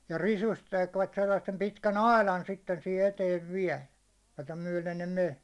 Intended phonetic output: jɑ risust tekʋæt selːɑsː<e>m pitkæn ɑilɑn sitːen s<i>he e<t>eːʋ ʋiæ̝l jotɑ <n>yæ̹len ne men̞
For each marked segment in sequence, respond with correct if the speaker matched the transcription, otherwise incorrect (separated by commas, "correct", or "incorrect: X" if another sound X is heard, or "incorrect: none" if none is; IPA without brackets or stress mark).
correct, correct, correct, incorrect: m